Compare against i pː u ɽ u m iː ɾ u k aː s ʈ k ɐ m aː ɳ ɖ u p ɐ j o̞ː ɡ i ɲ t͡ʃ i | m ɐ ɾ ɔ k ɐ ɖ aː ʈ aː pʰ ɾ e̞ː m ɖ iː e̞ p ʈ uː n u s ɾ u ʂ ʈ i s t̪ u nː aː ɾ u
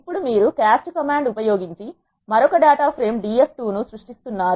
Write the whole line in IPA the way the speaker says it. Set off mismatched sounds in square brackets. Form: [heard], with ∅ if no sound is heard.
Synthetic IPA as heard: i pː u ɽ u m iː ɾ u k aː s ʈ k ɐ m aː ɳ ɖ u p ɐ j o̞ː ɡ i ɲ t͡ʃ i | m ɐ ɾ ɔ k ɐ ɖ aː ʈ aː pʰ ɾ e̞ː m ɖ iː e̞ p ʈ uː n u s ɾ u ʂ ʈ i s t̪ u nː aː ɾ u